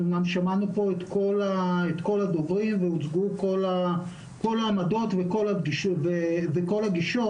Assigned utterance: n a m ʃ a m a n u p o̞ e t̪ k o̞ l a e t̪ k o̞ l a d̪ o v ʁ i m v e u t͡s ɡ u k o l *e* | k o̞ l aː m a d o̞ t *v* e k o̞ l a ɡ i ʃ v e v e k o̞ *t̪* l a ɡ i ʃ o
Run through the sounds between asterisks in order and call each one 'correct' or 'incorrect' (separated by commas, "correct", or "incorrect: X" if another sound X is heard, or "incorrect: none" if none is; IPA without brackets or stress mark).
incorrect: a, correct, incorrect: none